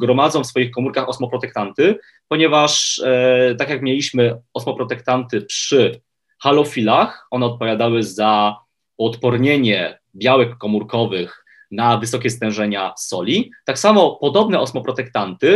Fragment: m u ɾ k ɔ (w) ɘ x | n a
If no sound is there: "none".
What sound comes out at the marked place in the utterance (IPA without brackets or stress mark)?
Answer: v